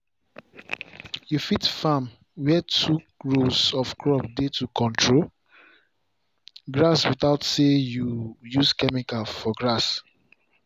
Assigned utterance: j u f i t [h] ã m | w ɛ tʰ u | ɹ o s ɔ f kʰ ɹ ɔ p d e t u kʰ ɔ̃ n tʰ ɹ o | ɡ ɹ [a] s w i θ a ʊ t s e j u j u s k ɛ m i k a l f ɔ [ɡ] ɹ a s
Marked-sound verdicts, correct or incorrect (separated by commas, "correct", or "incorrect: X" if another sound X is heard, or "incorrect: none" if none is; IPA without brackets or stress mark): incorrect: f, correct, correct